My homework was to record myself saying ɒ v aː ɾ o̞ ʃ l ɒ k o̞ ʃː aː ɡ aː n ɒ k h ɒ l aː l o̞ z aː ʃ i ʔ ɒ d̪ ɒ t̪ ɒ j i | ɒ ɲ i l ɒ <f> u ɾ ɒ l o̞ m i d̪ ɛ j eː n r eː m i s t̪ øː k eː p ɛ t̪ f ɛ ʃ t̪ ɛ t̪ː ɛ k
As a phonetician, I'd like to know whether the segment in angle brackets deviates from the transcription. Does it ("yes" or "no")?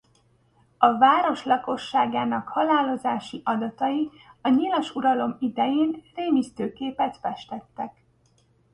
yes